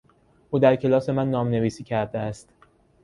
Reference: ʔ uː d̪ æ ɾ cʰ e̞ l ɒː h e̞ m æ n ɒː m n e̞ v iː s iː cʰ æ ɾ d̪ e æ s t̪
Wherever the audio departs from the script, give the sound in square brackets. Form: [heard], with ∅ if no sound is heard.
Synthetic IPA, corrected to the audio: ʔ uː d̪ æ ɾ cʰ e̞ l ɒː [s] e̞ m æ [nː] ɒː m n e̞ v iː s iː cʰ æ ɾ d̪ e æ s t̪